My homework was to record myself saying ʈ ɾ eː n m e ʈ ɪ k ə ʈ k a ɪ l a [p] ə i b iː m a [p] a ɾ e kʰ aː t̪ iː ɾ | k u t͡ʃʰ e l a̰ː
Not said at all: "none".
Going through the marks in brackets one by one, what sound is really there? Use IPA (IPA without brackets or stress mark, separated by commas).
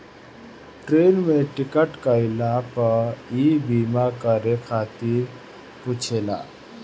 p, k